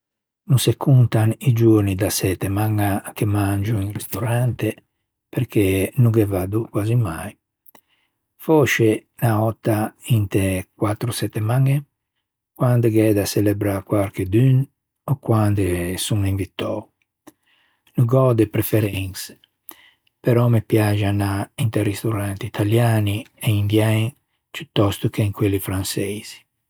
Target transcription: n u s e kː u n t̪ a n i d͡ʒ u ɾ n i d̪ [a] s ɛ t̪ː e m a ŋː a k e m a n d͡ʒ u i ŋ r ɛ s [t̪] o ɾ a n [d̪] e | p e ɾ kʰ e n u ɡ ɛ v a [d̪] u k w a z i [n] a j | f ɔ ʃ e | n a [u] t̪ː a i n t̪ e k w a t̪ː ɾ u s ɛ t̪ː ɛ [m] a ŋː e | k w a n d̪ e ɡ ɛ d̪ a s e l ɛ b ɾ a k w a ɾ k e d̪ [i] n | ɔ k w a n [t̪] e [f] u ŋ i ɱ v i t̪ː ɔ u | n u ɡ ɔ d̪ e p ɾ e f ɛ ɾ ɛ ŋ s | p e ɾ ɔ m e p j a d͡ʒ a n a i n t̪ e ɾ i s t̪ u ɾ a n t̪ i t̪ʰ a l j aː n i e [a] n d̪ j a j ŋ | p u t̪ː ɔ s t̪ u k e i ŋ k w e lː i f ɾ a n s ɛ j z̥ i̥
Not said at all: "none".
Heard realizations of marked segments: a, t̪, t̪, d̪, m, ɔ, m, y, d̪, s, i

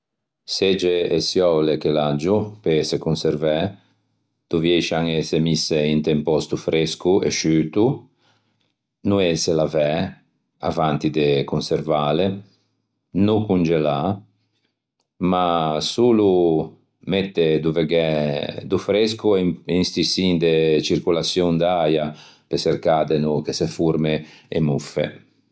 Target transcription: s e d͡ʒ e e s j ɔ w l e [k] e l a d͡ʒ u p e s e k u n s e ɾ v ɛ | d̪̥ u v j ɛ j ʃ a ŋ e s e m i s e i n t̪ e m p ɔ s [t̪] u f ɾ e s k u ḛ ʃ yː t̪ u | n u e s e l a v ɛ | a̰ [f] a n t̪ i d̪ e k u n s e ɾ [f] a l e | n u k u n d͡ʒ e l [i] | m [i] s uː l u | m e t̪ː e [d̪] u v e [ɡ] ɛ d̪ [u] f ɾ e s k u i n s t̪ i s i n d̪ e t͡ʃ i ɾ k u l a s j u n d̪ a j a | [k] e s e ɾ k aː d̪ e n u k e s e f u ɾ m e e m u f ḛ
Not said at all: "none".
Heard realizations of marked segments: k, t̪, v, v, a, a, d̪, ɡ, u, p

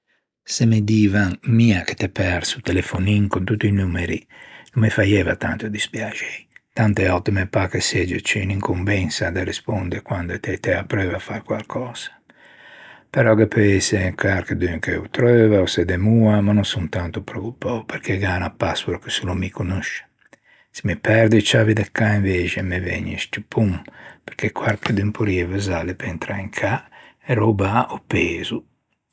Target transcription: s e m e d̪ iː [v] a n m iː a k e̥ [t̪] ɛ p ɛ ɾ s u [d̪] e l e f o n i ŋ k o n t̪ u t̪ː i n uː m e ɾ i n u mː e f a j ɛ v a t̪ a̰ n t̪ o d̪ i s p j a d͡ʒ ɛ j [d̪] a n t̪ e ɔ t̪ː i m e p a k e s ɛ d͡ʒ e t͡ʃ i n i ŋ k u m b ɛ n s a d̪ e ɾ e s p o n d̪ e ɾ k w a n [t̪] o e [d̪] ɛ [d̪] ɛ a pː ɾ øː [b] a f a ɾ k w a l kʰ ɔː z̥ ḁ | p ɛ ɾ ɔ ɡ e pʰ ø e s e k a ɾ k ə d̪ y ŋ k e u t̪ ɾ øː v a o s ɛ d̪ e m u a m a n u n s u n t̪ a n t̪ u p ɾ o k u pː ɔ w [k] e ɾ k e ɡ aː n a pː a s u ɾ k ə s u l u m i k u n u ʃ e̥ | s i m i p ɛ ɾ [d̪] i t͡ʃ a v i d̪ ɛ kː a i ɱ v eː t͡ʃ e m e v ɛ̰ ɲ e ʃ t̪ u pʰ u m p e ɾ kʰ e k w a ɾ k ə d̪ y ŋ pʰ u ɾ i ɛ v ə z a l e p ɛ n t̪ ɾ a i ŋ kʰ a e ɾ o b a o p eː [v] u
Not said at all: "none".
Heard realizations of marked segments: v, t̪, t̪, t̪, d̪, t̪, t̪, v, p, d̪, z

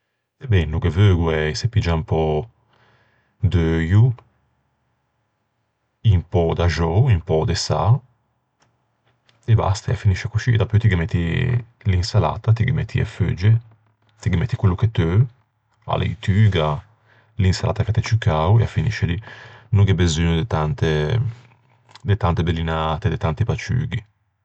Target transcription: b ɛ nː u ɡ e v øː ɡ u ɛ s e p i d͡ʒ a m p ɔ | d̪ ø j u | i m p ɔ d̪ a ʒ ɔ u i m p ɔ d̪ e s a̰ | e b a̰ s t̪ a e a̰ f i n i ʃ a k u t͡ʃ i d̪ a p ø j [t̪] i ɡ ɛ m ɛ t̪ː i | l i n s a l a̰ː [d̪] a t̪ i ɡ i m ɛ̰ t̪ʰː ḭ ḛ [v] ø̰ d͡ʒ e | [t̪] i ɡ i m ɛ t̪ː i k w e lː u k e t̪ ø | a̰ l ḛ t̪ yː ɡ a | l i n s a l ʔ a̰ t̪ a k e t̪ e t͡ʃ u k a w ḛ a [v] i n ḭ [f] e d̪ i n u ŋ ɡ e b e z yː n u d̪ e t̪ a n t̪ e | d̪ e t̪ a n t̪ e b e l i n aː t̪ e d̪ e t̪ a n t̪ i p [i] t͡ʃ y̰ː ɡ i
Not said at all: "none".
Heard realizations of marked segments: t̪, t̪, f, t̪, f, ʃ, a

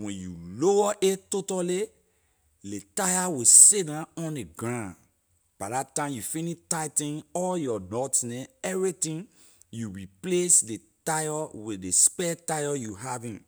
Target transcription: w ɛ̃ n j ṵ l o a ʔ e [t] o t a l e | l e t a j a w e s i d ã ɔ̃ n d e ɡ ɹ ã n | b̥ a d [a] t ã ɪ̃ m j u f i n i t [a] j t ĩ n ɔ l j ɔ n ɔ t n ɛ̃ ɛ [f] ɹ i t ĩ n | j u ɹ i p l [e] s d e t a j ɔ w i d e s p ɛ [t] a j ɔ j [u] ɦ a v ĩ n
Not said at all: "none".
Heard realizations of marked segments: t, a, a, v, e, t, u

